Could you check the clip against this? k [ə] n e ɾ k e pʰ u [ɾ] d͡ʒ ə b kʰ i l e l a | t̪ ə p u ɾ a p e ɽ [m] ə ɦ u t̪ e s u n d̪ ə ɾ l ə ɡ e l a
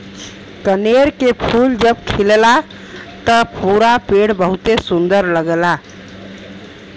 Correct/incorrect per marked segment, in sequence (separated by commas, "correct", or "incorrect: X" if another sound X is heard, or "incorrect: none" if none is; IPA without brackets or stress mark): correct, incorrect: l, incorrect: b